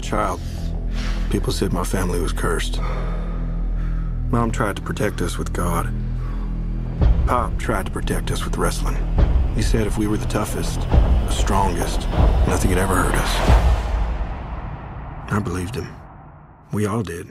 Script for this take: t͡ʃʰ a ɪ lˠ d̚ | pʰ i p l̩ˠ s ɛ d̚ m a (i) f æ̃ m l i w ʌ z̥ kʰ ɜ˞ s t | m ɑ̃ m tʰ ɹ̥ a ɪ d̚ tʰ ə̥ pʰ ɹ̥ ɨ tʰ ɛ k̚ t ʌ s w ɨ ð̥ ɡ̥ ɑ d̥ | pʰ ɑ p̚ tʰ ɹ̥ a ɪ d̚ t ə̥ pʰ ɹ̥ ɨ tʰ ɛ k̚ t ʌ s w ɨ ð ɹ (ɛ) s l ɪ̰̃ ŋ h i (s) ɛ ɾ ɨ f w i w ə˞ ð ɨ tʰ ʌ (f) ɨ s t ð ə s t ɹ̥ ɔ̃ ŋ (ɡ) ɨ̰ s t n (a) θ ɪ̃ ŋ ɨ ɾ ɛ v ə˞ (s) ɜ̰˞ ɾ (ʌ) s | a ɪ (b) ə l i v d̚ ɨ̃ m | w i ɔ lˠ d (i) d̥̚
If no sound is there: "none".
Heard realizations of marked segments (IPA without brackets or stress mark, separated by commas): ɪ, ɛ, s, f, ɡ, ʌ, h, ʌ, b, ɪ